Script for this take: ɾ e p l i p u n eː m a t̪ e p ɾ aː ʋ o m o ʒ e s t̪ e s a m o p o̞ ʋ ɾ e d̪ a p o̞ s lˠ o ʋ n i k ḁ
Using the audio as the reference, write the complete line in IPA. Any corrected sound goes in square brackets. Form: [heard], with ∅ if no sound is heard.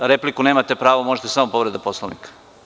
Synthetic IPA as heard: ɾ e p l i [k] u n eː m a t̪ e p ɾ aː ʋ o m o ʒ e [∅] t̪ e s a m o p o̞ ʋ ɾ e d̪ a p o̞ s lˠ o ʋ n i k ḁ